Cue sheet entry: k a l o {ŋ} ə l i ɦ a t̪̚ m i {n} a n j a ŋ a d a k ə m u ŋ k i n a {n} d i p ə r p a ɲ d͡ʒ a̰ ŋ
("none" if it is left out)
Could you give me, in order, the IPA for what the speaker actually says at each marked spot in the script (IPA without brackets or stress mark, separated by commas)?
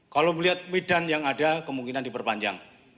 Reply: m, d, n